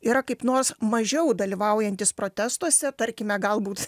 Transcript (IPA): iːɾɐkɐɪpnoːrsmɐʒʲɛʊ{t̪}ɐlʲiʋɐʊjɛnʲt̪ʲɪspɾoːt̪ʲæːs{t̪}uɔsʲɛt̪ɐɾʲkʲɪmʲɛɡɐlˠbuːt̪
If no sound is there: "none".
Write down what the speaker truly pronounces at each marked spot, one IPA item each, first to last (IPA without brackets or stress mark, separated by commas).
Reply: d̪, t̪